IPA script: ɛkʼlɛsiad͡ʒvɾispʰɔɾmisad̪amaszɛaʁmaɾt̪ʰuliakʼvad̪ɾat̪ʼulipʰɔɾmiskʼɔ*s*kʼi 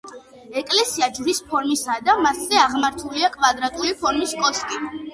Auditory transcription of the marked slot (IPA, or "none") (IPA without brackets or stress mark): s